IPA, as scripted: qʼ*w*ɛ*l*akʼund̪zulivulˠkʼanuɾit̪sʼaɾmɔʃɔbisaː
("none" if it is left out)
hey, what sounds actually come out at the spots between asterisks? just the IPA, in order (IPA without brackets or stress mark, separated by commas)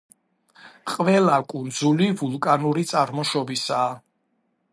v, l